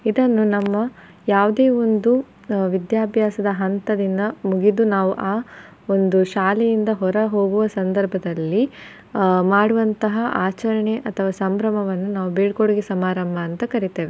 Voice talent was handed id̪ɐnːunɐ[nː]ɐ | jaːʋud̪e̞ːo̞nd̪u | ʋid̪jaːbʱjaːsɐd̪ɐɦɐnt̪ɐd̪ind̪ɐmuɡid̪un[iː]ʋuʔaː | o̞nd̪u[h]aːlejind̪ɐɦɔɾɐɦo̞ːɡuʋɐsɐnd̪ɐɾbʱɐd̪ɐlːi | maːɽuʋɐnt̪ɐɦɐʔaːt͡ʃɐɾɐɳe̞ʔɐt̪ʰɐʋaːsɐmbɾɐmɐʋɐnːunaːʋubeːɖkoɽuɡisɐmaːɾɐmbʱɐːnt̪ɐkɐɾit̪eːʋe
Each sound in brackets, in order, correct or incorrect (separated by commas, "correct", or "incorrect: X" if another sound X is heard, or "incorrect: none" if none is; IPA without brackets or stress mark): incorrect: mː, incorrect: aː, incorrect: ʃ